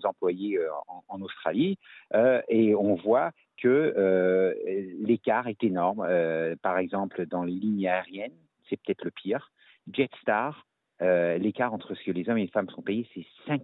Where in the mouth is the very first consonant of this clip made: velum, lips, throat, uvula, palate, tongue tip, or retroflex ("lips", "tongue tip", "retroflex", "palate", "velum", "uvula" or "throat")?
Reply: tongue tip